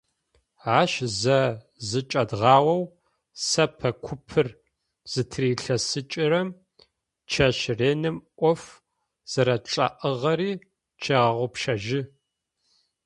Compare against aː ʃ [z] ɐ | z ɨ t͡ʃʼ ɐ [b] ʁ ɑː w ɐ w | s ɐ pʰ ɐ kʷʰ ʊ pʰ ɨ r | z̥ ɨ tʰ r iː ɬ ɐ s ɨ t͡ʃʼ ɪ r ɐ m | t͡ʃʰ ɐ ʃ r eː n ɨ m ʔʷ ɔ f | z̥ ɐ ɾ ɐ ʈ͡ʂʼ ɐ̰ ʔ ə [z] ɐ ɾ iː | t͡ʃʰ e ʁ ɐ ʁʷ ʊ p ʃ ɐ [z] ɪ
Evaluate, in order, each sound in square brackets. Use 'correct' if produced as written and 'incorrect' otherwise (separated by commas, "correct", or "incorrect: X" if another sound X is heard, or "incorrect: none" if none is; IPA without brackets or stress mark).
correct, incorrect: d, incorrect: ʁ, incorrect: ʒ